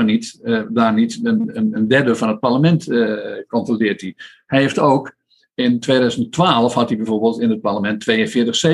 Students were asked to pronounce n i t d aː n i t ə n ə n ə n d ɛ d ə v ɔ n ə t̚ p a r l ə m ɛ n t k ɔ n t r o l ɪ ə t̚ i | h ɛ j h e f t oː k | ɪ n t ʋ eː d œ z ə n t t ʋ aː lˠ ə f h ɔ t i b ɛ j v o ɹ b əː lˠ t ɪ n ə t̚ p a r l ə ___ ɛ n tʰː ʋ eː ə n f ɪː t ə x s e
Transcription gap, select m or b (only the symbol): m